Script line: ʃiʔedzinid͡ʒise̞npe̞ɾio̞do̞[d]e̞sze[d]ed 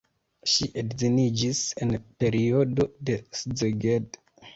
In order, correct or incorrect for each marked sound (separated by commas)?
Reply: correct, incorrect